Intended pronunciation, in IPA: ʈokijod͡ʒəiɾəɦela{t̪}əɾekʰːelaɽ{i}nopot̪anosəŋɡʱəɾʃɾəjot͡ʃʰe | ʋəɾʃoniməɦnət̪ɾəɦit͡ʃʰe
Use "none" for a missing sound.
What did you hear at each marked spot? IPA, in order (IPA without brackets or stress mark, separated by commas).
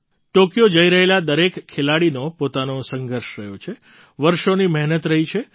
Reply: d̪, i